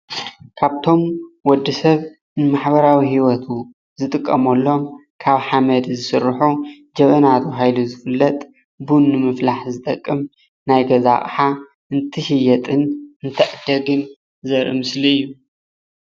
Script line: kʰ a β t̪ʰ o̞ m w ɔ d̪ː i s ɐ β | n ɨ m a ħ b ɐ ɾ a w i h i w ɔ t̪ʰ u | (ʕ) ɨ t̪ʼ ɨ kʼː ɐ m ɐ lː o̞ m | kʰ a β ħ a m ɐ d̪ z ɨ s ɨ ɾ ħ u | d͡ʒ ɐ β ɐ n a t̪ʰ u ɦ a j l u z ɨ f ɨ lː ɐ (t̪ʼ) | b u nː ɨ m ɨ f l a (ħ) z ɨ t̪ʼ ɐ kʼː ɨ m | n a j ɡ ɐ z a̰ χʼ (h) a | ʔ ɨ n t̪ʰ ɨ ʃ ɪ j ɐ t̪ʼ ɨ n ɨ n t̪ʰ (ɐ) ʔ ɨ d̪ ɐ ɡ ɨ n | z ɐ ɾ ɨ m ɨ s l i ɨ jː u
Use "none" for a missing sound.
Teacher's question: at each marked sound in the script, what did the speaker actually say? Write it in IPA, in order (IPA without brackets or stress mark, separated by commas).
z, t̪ʼ, ħ, ħ, ɐ